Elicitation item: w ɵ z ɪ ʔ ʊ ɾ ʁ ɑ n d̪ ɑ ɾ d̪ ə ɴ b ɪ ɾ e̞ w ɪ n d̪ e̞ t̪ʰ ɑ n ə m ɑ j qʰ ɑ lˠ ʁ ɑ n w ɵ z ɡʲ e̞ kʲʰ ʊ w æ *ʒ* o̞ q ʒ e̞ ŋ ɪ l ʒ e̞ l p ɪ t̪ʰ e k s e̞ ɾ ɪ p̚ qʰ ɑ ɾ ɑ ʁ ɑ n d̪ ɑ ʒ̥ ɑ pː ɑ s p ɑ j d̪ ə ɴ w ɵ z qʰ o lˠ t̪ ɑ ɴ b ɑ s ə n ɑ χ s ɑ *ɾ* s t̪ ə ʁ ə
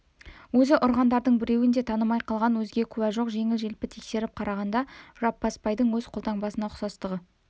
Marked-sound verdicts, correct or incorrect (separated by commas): correct, incorrect